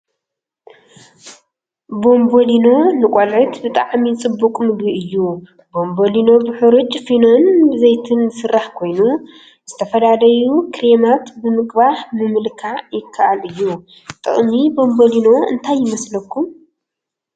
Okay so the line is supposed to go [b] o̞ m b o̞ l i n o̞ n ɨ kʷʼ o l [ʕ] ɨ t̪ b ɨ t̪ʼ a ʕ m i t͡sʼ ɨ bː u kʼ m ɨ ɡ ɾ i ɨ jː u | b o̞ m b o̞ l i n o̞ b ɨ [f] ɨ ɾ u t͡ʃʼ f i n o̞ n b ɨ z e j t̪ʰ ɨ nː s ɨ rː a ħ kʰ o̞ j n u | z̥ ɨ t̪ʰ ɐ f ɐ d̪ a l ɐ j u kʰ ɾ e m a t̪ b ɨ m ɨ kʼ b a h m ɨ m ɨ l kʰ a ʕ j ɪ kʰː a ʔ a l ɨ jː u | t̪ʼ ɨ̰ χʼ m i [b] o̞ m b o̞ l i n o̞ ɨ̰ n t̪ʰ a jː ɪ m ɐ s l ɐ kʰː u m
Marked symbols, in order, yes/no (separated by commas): yes, yes, no, yes